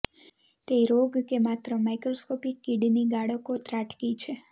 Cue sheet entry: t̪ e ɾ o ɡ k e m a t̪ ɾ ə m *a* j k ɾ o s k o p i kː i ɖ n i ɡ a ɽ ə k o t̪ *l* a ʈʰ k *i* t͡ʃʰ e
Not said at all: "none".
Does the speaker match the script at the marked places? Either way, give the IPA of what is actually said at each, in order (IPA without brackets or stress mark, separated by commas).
a, ɾ, i